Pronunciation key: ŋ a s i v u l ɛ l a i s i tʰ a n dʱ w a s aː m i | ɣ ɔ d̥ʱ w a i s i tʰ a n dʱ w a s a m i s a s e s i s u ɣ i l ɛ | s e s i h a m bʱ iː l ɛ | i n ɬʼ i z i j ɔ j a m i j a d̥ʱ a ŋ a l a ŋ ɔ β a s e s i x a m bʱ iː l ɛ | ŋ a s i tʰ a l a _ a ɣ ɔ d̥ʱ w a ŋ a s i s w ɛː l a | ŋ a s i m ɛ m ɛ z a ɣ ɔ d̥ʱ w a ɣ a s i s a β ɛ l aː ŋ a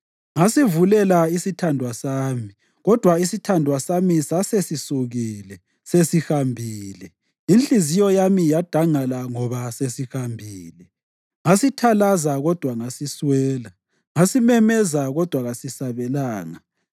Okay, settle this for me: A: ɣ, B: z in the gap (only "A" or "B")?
B